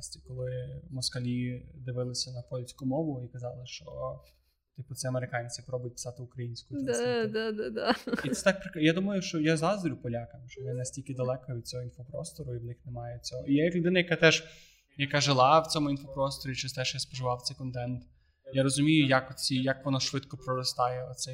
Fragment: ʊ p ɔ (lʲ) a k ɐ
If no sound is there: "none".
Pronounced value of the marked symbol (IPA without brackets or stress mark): lʲ